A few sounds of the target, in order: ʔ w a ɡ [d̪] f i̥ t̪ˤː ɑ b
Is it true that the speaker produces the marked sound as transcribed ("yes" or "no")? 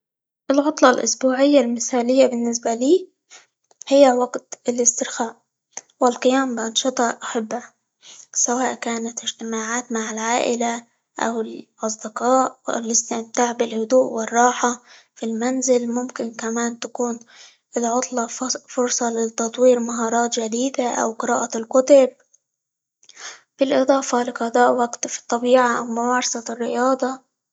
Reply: no